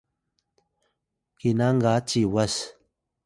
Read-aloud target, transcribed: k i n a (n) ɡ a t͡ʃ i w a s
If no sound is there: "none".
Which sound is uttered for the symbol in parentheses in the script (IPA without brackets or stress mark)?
ŋ